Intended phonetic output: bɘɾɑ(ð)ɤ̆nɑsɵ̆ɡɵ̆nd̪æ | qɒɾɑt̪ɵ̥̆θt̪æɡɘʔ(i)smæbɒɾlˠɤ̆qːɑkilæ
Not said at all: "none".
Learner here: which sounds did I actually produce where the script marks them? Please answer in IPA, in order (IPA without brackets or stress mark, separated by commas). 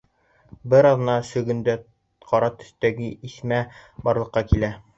ð, i